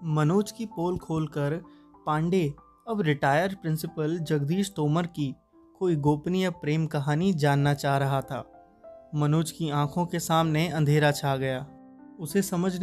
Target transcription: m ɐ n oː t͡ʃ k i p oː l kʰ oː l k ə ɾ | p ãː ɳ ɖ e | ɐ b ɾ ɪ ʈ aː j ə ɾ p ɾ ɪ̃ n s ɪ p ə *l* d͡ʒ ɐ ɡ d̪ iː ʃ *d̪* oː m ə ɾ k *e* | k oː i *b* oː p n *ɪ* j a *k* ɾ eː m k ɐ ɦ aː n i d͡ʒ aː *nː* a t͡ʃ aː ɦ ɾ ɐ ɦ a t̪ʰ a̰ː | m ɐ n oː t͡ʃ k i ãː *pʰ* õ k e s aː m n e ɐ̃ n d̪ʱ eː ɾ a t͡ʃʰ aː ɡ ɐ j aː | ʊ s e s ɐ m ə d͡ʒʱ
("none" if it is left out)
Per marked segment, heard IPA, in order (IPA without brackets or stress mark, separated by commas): l, t̪, i, ɡ, i, p, nː, kʰ